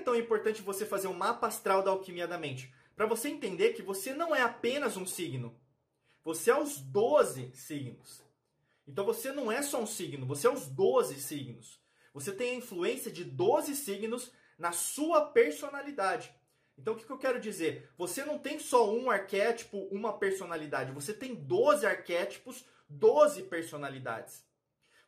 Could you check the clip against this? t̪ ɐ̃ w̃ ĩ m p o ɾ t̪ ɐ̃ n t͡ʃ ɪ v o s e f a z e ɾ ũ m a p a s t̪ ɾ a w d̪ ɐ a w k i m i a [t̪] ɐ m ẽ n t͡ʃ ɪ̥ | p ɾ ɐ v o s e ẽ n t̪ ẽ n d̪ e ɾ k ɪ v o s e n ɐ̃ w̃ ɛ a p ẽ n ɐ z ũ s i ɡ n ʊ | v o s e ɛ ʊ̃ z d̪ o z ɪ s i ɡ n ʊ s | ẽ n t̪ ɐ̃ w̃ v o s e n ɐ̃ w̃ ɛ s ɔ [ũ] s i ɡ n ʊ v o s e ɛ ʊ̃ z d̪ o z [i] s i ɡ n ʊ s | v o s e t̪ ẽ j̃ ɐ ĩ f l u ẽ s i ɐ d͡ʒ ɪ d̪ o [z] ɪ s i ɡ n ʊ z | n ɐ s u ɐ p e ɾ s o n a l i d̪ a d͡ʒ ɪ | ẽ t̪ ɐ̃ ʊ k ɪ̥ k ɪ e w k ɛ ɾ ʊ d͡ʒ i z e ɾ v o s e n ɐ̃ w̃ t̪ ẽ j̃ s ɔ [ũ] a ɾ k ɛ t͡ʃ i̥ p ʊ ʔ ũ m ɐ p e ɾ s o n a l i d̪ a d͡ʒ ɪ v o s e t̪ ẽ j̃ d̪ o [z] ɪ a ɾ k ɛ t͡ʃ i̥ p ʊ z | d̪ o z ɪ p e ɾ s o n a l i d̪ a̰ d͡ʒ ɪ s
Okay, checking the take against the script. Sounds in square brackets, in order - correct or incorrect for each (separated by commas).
incorrect, correct, incorrect, correct, correct, correct